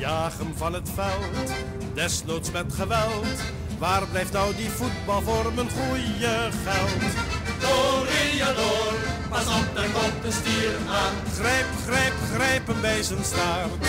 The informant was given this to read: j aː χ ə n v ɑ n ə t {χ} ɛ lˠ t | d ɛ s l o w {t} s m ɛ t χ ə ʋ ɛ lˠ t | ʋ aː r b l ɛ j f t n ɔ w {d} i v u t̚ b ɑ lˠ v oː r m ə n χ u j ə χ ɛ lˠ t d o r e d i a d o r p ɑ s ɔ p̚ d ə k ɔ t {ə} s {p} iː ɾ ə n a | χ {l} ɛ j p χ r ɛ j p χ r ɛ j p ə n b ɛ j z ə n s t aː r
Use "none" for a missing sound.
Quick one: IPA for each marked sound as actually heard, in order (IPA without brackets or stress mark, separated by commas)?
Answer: f, t, d, ə, t, r